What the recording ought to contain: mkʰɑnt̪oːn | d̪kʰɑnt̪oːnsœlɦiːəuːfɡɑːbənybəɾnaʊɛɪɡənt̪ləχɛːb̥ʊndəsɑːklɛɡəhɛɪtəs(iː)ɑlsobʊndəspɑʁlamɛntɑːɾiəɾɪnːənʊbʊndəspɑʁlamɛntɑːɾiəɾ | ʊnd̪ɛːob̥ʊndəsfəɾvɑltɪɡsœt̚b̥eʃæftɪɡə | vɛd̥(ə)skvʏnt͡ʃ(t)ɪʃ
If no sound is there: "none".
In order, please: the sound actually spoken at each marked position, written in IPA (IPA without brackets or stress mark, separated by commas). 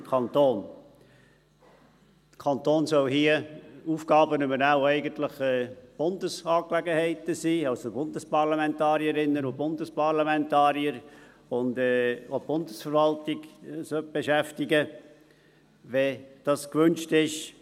iː, ɑ, t